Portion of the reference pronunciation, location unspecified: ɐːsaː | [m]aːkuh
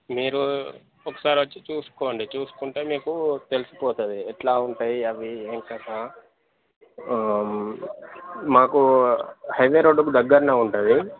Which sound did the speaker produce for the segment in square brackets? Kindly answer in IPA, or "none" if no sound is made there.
m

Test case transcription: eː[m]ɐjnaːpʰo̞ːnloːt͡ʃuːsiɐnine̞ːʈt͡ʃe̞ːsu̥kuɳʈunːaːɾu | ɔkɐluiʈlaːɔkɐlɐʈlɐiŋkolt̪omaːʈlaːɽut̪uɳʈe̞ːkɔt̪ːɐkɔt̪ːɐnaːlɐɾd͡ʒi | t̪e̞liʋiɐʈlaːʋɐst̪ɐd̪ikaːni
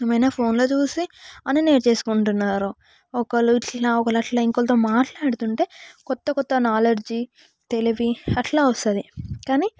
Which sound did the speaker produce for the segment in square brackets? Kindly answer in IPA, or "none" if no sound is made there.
m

